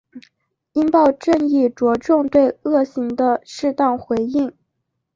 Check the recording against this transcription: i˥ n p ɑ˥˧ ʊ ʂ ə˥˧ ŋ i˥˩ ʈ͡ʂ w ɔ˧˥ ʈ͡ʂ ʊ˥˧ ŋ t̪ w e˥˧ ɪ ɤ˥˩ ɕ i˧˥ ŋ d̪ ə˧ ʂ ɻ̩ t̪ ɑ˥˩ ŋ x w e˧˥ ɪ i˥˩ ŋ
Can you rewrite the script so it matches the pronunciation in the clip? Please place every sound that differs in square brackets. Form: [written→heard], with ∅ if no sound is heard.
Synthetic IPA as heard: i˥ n p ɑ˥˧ ʊ [ʂ→ʈ͡ʂ] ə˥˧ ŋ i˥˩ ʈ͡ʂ w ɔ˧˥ ʈ͡ʂ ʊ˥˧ ŋ t̪ w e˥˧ ɪ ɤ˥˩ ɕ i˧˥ ŋ d̪ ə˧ ʂ ɻ̩ t̪ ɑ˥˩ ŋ x w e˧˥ ɪ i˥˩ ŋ